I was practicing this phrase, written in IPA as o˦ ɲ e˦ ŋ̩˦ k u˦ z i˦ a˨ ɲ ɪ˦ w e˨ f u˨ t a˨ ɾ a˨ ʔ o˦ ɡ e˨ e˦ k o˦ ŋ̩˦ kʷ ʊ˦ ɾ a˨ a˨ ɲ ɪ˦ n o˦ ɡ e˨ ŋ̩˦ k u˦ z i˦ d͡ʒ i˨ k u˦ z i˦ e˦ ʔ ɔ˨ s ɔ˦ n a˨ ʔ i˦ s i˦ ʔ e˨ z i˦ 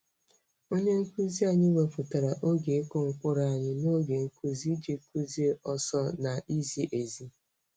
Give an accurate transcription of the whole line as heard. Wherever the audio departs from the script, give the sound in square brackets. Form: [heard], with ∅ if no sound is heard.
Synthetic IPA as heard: o˦ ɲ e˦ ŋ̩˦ k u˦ z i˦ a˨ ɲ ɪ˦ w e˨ f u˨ t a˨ ɾ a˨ ʔ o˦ ɡ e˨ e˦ k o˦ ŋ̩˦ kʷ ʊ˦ ɾ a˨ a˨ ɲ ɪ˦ n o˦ ɡ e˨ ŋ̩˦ k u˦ z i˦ d͡ʒ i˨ k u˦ z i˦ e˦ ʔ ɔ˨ s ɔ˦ n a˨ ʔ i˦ [z] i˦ ʔ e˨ z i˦